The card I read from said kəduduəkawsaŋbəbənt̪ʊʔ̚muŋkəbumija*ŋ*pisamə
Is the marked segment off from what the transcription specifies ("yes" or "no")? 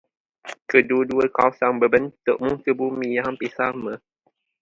yes